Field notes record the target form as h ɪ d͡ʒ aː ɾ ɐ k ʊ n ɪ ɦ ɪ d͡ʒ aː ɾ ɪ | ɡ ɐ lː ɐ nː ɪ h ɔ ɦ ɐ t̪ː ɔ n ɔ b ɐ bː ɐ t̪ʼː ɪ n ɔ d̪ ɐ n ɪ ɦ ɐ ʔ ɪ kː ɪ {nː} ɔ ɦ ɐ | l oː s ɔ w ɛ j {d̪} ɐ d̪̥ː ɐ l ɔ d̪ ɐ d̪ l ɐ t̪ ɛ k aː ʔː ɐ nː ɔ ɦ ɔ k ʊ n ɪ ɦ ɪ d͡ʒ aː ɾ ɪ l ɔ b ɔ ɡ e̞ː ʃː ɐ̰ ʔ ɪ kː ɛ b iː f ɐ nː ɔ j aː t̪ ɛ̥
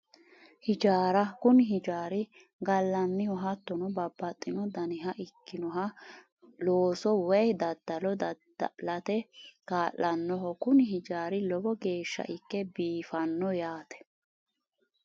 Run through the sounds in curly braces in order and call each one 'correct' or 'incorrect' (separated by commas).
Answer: incorrect, correct